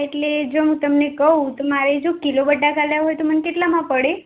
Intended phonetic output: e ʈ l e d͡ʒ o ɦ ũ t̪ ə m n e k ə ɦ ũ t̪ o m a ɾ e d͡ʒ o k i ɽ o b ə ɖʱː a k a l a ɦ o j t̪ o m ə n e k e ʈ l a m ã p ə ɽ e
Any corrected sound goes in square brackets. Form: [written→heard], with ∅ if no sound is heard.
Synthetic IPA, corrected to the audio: e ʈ l e d͡ʒ o ɦ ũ t̪ ə m n e k ə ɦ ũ t̪ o m a ɾ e d͡ʒ o k i [ɽ→l] o b ə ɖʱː a k a l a ɦ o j t̪ o m ə n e k e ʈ l a m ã p ə ɽ e